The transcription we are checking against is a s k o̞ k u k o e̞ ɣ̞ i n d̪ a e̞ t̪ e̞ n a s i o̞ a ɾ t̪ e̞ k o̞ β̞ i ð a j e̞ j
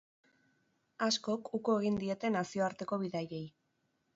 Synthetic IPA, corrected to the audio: a s k o̞ k u k o e̞ ɣ̞ i n d̪ i e̞ t̪ e̞ n a s i o̞ a ɾ t̪ e̞ k o̞ β̞ i ð a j e̞ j